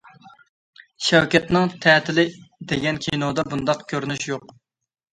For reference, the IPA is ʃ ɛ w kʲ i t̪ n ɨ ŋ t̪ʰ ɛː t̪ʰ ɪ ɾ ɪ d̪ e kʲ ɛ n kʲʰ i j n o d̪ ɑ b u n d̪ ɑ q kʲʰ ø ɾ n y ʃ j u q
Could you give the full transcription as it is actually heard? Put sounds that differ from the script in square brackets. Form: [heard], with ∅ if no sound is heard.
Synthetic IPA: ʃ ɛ w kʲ [ɛ] t̪ n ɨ ŋ t̪ʰ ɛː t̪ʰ ɪ [l] ɪ d̪ e [ɡʲ] ɛ n kʲʰ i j n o d̪ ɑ b u n d̪ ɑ q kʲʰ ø ɾ n y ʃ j [o] q